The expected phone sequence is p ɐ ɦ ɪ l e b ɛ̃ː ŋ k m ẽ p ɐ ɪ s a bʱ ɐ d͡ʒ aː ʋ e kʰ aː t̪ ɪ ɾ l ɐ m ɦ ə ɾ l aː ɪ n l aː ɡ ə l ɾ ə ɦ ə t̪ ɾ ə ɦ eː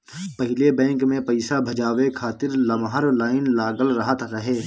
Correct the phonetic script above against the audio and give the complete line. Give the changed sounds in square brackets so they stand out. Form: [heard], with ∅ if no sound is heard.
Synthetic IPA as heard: p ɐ ɦ ɪ l e b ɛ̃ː ŋ k m ẽ p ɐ ɪ s a bʱ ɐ d͡ʒ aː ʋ e kʰ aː t̪ ɪ ɾ l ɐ m ɦ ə ɾ l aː ɪ n l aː ɡ ə l ɾ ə ɦ ə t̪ ɾ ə ɦ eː